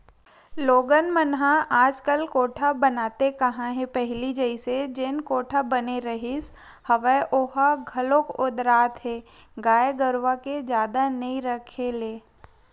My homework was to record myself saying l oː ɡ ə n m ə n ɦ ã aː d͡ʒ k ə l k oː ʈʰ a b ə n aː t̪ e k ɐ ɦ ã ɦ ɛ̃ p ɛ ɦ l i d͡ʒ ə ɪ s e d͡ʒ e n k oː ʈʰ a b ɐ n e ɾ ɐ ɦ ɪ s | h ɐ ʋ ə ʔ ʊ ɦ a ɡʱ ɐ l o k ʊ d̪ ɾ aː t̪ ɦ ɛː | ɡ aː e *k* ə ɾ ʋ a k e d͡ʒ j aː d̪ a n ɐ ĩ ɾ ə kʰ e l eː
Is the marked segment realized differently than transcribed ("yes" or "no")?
yes